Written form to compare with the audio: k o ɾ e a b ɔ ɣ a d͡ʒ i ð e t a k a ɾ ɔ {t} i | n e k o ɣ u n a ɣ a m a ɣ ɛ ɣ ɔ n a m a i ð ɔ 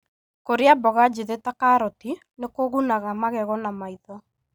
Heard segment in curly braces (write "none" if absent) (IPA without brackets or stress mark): t